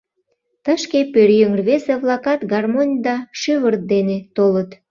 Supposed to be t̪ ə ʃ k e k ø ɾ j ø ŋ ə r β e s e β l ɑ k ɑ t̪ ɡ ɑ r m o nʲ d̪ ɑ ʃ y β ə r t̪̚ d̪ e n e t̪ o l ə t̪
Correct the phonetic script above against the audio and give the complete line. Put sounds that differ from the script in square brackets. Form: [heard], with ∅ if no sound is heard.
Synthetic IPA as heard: t̪ ə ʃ k e [p] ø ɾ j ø ŋ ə r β e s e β l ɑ k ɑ t̪ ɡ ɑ r m o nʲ d̪ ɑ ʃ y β ə r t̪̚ d̪ e n e t̪ o l ə t̪